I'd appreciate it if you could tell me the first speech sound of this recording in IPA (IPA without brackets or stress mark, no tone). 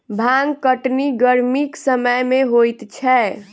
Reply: bʱ